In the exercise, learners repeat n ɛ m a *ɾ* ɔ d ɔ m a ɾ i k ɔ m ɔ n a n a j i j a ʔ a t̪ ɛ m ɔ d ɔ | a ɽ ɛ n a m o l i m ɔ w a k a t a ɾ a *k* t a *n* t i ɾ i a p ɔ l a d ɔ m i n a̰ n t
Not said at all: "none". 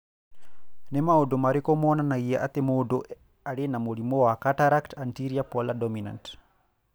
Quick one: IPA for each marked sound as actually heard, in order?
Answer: none, k, n

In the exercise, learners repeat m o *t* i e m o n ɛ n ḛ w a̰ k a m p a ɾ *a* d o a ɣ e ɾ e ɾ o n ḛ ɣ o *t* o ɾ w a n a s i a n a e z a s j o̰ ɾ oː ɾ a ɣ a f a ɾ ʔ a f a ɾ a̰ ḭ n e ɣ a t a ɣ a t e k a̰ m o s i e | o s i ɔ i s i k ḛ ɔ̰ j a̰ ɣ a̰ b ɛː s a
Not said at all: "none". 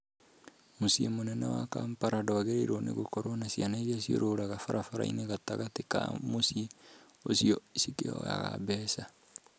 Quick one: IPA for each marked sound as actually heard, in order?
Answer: s, a, k

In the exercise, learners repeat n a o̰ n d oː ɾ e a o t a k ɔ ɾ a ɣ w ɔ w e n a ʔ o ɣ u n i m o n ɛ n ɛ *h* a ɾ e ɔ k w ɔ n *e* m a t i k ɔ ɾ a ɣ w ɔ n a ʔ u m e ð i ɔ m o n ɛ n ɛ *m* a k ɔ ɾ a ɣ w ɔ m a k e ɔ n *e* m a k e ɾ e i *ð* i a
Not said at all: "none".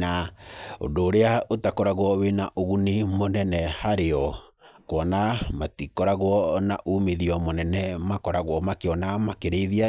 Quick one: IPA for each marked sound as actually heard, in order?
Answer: h, a, m, a, ð

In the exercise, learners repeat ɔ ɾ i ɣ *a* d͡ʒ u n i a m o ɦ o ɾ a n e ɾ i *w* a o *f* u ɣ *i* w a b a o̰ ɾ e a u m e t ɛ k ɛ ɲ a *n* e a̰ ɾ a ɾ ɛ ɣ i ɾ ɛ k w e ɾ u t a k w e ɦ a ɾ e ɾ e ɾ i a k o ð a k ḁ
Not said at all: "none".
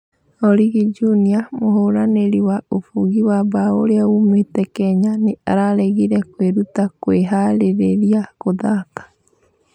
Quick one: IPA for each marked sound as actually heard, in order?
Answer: i, w, f, i, n

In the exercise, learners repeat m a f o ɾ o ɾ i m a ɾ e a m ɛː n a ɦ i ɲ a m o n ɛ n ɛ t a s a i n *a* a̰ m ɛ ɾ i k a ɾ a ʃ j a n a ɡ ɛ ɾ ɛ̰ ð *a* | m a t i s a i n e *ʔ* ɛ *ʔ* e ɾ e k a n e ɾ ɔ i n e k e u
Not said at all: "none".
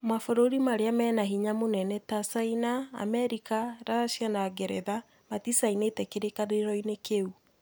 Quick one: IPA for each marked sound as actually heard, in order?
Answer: a, a, t, k

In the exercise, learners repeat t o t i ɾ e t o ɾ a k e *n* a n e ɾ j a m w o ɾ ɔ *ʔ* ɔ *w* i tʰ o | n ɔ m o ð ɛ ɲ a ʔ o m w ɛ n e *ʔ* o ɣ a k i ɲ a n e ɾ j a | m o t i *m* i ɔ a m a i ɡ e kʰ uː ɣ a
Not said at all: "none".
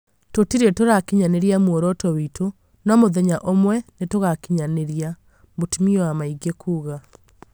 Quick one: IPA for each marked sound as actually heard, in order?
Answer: ɲ, t, w, t, m

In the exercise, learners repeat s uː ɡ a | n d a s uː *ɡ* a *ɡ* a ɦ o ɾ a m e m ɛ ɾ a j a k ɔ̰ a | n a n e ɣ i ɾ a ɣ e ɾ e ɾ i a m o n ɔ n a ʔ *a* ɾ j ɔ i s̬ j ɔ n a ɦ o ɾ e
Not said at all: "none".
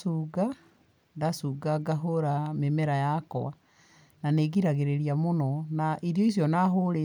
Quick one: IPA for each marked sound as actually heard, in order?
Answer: ɡ, ɡ, i

